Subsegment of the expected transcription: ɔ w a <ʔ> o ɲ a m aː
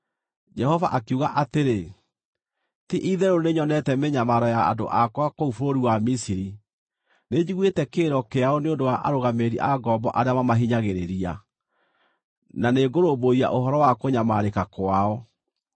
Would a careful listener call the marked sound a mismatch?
yes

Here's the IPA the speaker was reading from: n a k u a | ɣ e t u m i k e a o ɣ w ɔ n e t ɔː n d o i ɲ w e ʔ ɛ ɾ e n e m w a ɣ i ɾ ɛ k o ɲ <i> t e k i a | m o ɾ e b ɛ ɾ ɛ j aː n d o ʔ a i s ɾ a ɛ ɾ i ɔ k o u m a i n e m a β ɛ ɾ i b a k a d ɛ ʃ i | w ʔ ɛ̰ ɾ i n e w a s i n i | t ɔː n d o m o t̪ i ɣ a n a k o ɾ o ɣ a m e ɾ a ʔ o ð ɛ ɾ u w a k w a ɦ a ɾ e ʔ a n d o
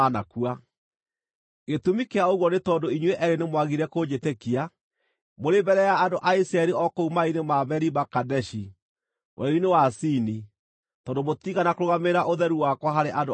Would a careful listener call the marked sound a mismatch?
yes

